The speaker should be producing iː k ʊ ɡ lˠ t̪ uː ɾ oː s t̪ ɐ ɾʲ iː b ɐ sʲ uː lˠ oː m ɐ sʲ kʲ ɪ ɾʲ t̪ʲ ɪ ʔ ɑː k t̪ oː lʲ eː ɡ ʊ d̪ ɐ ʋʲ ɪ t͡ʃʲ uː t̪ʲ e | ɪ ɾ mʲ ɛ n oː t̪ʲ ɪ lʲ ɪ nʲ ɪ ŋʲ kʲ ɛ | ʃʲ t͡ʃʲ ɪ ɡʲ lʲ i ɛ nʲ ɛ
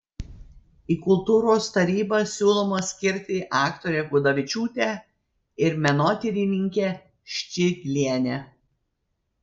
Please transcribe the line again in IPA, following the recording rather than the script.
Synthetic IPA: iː k ʊ lˠ t̪ uː ɾ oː s t̪ ɐ ɾʲ iː b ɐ sʲ uː lˠ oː m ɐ sʲ kʲ ɪ ɾʲ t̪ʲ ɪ ʔ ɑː k t̪ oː ɾʲ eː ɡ ʊ d̪ ɐ ʋʲ ɪ t͡ʃʲ uː t̪ʲ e | ɪ ɾ mʲ ɛ n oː t̪ʲ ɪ ɾʲ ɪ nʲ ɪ ŋʲ kʲ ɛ | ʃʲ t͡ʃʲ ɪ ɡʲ lʲ i ɛ nʲ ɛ